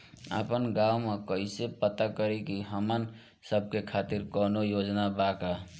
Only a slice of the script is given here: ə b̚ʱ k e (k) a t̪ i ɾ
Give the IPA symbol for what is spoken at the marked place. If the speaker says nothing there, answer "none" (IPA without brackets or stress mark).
kʰ